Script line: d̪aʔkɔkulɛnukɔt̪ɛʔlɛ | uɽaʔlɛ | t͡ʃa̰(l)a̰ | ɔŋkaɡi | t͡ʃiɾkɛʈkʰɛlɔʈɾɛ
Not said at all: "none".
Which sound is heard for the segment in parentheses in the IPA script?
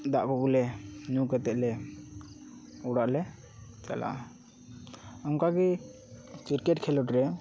l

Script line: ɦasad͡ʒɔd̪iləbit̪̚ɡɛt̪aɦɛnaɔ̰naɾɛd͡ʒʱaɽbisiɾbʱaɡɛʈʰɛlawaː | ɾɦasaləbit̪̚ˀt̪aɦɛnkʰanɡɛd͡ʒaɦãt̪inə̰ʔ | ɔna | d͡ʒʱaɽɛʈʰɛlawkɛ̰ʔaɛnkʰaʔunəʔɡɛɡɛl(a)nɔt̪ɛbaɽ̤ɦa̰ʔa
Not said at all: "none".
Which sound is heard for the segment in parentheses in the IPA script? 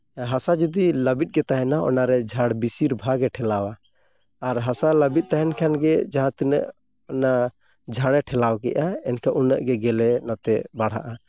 ɛ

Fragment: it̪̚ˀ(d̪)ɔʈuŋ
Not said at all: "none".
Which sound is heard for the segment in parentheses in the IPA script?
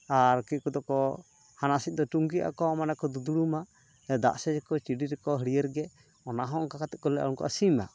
d̪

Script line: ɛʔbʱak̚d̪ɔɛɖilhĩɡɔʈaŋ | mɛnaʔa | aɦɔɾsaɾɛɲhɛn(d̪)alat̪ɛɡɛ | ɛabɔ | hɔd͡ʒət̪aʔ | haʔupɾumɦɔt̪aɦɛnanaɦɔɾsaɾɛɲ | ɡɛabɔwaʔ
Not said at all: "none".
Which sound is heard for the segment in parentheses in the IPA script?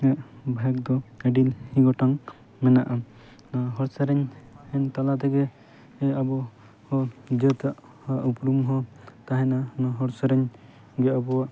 t̪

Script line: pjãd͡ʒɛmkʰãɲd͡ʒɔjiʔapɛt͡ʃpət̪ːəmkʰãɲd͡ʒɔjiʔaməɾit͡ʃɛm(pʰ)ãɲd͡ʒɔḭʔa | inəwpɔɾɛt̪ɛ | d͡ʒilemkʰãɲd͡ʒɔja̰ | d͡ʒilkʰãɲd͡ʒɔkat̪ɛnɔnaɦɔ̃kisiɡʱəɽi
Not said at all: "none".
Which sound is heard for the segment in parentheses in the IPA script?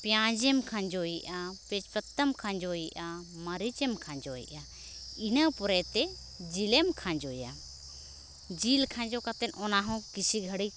kʰ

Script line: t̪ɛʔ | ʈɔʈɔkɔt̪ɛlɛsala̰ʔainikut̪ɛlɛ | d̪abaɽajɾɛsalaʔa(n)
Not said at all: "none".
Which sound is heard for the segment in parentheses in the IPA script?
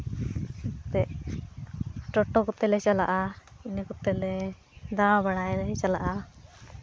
none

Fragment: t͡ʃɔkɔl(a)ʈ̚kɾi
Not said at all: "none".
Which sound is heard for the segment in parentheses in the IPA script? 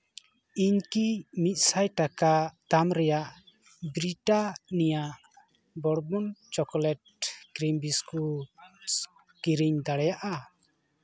ɛ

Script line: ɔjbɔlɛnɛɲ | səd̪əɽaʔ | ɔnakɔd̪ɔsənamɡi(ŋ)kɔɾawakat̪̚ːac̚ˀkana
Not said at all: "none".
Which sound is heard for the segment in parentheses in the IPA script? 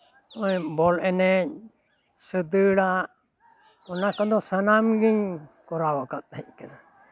ɲ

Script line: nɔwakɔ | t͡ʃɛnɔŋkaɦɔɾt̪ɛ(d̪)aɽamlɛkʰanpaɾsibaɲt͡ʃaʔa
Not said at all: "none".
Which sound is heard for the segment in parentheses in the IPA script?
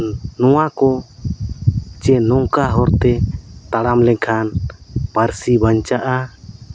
t̪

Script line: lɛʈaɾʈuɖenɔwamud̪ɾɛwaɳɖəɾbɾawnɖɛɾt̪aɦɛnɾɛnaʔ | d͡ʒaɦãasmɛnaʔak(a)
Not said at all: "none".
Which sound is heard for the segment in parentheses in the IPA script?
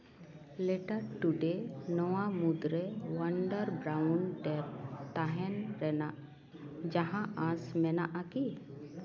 i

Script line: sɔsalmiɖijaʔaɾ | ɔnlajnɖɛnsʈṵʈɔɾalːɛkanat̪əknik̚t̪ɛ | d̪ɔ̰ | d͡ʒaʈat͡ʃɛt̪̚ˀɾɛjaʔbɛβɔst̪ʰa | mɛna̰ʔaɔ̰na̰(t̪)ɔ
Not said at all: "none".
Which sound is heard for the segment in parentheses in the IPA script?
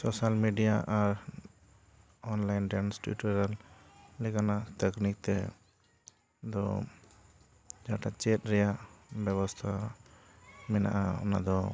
d̪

